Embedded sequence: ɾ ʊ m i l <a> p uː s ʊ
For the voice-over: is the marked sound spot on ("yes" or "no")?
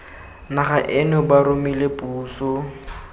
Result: no